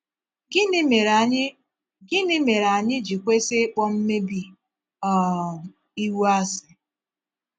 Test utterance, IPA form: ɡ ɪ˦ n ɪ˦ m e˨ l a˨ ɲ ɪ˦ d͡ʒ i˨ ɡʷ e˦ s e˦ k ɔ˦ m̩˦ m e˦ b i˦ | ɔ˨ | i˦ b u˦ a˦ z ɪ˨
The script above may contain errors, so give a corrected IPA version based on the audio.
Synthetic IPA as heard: ɡ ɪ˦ n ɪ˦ m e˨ ɾ a˨ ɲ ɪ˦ d͡ʒ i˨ kʷ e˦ s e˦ k͡p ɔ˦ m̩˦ m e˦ b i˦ | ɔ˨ | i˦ w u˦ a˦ s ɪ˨